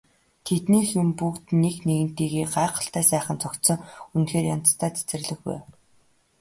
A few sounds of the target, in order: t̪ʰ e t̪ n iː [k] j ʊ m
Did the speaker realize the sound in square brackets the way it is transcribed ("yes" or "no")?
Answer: no